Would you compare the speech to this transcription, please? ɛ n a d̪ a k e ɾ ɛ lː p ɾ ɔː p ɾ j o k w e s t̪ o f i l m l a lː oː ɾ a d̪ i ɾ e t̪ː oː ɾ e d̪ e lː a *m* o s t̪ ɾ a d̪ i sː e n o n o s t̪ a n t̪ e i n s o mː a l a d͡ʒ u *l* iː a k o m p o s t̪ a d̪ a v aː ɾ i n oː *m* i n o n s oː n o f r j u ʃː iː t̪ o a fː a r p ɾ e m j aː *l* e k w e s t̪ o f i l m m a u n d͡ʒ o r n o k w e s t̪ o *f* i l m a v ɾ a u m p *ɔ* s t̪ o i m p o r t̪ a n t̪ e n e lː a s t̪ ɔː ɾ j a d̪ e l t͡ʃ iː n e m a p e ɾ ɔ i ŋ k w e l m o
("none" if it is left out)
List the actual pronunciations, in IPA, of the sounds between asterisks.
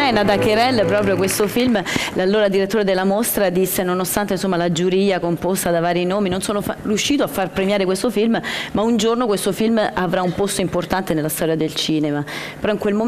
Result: m, ɾ, m, ɾ, f, o

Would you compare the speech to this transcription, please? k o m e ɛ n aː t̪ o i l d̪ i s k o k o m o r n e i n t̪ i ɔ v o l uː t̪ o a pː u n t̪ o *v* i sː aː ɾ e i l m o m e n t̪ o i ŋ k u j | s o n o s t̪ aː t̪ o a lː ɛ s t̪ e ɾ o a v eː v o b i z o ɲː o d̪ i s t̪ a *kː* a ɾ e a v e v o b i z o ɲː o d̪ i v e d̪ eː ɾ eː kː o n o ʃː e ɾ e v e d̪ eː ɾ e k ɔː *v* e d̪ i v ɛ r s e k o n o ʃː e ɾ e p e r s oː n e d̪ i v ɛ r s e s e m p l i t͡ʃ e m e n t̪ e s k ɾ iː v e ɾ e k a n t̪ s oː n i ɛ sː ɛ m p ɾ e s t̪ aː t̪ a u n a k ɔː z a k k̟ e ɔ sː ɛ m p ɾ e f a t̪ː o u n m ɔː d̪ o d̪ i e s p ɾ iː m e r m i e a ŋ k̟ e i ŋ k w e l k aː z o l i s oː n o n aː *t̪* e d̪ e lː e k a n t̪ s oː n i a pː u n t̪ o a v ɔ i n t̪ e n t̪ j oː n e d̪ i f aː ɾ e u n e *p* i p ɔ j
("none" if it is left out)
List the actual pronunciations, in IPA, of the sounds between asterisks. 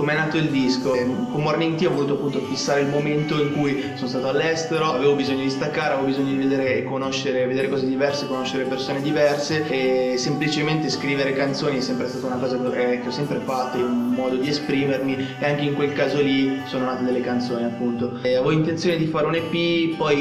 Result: f, kː, z, t̪, p

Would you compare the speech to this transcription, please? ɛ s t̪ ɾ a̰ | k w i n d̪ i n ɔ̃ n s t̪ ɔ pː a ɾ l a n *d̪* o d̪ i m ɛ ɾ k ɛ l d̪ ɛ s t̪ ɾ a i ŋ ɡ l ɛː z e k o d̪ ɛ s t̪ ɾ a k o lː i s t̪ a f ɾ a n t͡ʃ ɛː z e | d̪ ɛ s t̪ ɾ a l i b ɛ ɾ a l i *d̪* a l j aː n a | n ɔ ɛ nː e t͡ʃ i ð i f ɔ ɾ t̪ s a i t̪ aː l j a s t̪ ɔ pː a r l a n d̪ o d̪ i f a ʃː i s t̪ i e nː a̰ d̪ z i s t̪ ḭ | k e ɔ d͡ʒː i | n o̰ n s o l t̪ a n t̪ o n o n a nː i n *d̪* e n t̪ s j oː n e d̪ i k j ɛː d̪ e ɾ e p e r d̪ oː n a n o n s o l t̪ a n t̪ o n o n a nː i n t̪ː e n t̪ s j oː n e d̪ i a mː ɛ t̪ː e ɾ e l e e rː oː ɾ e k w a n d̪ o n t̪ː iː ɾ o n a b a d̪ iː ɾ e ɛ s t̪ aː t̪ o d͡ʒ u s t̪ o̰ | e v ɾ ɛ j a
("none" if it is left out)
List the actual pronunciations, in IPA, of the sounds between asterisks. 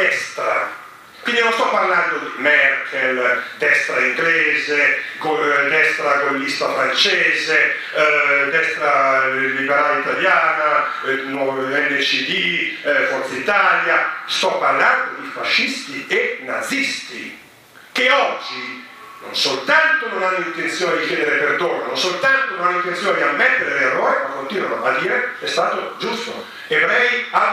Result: d̪, t̪, t̪

